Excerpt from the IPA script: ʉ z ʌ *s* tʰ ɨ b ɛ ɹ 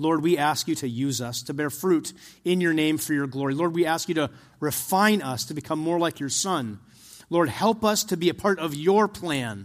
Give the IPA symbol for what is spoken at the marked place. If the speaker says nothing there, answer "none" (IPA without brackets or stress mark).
s